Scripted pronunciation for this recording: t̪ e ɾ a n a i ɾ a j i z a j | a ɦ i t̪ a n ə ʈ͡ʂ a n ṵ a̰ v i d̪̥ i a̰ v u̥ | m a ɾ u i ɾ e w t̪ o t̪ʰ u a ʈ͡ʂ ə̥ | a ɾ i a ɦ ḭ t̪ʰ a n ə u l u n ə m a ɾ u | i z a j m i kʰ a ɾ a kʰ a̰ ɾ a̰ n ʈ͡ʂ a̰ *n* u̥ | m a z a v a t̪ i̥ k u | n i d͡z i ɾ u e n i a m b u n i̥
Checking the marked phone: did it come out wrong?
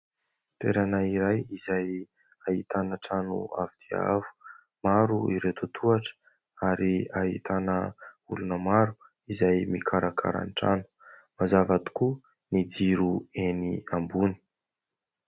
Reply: no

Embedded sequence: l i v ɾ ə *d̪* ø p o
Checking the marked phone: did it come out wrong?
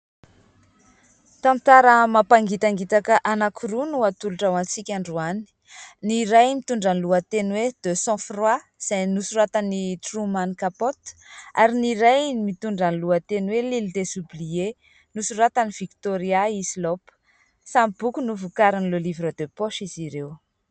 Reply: no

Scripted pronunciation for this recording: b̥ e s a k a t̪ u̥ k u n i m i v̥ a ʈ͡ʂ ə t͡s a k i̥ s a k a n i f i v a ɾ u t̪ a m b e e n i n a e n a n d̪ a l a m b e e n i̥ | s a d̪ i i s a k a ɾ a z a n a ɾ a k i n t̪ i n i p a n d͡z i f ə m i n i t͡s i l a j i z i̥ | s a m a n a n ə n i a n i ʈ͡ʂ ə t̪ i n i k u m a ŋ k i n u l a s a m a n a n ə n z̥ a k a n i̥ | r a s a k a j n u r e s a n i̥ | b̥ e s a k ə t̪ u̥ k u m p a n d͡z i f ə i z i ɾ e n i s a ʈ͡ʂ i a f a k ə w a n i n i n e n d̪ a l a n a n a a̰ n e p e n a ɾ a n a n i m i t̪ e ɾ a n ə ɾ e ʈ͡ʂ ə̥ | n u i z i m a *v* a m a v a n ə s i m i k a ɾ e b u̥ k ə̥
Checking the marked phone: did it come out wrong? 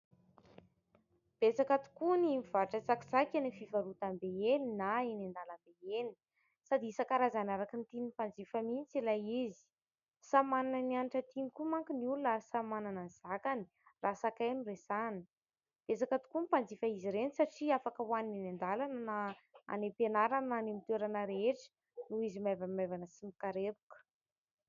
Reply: no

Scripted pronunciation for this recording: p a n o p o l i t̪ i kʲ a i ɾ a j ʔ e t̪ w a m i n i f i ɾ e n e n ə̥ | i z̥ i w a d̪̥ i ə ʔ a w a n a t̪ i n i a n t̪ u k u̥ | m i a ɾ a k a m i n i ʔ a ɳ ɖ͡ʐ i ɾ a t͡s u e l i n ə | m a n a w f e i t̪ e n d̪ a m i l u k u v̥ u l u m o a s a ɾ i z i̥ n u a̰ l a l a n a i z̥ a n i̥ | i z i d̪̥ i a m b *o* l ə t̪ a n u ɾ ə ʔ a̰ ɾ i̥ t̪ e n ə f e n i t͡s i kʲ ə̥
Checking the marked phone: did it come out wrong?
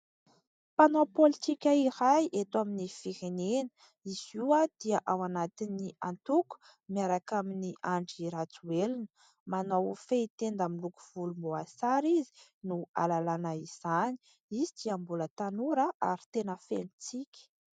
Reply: yes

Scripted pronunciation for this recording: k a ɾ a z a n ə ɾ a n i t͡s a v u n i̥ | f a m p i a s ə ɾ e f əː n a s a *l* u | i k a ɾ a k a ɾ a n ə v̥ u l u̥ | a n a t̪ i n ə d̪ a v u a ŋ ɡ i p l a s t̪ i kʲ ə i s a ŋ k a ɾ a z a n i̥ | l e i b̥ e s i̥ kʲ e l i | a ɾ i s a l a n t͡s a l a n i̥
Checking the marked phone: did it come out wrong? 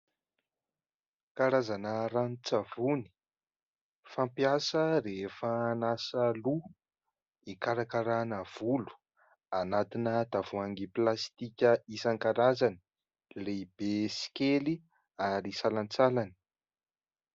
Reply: no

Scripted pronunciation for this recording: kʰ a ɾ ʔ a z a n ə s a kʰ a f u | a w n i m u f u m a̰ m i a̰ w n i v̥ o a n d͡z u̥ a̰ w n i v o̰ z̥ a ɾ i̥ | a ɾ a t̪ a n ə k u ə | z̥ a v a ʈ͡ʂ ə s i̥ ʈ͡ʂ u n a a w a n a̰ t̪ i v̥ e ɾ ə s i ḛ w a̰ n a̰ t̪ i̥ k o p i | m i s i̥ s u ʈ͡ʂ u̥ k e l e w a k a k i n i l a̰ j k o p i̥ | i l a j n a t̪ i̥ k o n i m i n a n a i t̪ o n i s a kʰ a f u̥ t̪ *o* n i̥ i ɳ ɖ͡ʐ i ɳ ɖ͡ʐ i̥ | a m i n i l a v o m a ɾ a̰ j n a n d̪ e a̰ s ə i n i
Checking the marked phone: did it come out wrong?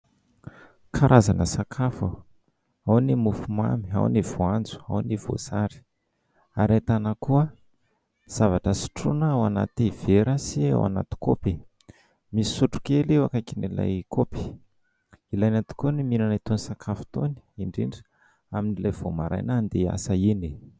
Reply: no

